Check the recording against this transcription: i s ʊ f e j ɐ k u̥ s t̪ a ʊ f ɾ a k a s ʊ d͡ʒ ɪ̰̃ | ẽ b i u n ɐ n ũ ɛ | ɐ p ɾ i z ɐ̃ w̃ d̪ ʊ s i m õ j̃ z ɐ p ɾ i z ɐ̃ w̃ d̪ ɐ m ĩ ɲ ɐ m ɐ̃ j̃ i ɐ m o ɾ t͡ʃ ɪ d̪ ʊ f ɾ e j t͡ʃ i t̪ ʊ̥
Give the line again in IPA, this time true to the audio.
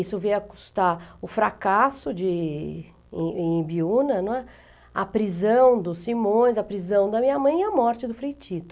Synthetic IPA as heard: i s ʊ v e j ɐ k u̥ s t̪ a ʊ f ɾ a k a s ʊ d͡ʒ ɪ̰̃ | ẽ b i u n ɐ n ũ ɛ | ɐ p ɾ i z ɐ̃ w̃ d̪ ʊ s i m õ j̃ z ɐ p ɾ i z ɐ̃ w̃ d̪ ɐ m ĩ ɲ ɐ m ɐ̃ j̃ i ɐ m ɔ ɾ t͡ʃ ɪ d̪ ʊ f ɾ e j t͡ʃ i t̪ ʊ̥